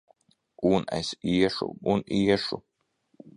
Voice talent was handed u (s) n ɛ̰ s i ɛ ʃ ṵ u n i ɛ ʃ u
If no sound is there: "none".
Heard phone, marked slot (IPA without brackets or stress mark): none